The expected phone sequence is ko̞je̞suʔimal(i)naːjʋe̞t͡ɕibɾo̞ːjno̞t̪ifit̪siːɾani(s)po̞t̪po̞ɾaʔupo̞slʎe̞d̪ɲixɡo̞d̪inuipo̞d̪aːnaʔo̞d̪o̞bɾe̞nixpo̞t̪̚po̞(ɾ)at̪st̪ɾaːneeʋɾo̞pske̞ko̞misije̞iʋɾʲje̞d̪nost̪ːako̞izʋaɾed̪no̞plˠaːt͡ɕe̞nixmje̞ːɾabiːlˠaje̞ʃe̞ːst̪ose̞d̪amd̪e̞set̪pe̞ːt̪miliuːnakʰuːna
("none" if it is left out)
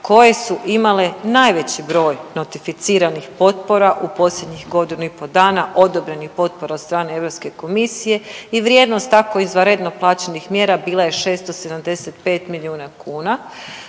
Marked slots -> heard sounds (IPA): e, x, ɾ

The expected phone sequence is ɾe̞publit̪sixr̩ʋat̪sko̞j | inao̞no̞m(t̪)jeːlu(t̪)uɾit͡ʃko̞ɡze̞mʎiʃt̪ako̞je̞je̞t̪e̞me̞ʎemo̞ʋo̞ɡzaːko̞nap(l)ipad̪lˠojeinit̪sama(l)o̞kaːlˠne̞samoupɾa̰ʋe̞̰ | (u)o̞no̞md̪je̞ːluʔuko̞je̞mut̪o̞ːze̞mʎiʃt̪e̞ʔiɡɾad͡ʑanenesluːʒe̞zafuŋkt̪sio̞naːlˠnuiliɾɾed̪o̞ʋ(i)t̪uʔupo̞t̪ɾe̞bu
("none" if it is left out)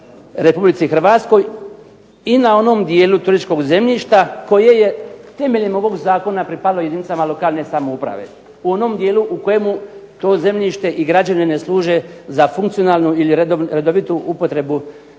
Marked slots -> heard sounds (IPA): d̪, t̪, ɾ, l, u, i

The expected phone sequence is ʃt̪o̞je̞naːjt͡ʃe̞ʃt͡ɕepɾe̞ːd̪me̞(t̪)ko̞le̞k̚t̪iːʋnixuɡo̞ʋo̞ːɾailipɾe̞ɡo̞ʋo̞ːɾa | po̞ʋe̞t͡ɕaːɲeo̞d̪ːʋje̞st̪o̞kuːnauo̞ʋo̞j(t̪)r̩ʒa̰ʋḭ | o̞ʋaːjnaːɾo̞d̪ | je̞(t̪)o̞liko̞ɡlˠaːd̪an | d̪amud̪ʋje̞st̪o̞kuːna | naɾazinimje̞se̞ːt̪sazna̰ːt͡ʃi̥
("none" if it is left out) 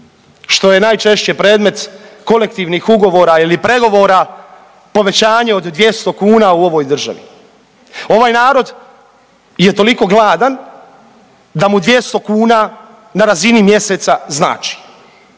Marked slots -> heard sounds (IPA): t̪, d̪, t̪

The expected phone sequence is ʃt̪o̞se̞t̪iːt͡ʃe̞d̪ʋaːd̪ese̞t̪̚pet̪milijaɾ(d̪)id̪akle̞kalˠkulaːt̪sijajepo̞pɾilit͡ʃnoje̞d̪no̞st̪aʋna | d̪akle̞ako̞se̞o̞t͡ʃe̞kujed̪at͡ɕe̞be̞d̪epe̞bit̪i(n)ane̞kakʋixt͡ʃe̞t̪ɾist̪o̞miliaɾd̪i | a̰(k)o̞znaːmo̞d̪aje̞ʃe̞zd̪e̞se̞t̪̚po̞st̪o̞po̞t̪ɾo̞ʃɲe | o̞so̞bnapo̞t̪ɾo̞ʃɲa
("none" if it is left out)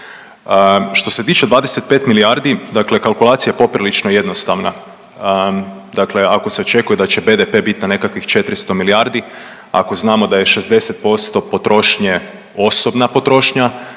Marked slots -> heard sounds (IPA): d̪, n, k

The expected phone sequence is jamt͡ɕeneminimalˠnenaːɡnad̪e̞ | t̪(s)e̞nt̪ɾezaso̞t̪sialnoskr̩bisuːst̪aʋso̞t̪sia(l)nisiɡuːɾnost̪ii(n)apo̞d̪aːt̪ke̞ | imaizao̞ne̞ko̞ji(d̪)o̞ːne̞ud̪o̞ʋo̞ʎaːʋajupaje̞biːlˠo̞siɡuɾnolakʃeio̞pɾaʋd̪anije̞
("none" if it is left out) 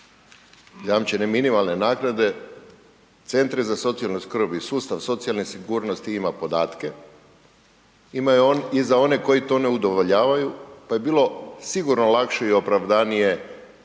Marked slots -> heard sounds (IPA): s, l, m, t̪

